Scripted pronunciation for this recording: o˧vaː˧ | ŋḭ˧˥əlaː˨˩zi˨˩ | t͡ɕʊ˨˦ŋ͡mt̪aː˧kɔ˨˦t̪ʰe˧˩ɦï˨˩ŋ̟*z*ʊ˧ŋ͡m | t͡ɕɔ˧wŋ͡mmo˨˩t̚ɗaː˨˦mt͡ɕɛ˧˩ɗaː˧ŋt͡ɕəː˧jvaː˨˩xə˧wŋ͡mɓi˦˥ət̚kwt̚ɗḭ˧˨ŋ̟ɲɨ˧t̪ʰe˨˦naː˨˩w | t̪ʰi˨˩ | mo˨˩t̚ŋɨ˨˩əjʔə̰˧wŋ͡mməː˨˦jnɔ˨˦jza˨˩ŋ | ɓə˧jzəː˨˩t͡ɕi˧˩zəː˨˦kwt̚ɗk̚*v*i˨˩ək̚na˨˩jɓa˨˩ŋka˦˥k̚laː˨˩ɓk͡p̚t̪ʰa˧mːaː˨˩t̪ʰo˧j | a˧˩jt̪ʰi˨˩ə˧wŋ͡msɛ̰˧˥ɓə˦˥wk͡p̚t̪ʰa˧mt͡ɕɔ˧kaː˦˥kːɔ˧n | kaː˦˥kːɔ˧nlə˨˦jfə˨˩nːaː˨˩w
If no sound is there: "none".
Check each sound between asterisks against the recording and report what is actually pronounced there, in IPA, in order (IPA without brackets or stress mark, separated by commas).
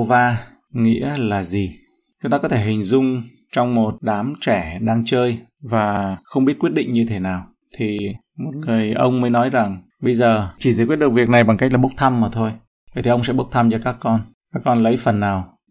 z, v